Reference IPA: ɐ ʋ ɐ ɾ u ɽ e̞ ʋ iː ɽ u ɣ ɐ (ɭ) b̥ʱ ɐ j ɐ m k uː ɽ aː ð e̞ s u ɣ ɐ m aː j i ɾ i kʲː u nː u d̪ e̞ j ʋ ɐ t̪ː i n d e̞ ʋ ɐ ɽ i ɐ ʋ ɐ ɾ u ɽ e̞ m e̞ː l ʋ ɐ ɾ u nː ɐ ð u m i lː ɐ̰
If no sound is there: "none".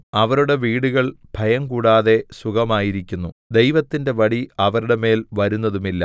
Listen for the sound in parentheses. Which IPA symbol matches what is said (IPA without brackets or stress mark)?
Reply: ɭ